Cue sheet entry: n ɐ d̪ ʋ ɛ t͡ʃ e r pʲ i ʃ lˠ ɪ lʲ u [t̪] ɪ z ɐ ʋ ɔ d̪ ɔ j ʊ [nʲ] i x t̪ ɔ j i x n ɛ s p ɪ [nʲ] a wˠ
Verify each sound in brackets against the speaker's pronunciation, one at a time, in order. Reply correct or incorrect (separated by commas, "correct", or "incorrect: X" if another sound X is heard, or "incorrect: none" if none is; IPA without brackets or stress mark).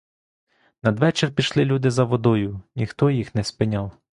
incorrect: d̪, correct, correct